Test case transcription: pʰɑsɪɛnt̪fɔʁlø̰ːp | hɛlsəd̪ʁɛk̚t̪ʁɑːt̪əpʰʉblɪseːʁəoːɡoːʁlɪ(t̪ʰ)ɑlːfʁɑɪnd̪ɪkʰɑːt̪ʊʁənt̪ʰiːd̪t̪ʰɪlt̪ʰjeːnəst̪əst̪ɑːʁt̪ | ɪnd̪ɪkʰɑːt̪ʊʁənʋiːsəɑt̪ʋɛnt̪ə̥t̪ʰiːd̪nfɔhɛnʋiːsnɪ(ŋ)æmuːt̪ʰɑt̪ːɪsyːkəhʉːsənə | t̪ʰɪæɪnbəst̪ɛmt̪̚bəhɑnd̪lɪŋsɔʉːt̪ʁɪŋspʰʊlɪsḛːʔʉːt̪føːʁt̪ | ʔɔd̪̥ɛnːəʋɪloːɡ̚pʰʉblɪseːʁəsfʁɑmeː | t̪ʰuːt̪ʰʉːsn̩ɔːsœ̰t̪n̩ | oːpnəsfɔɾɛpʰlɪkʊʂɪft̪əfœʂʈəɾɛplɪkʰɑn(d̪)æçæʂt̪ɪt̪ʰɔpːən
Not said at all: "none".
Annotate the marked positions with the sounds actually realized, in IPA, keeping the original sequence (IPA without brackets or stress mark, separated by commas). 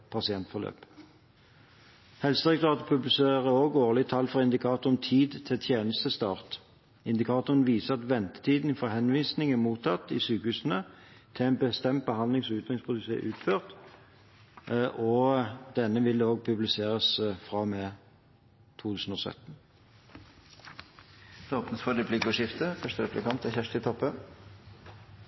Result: t̪ʰ, ŋ, t̪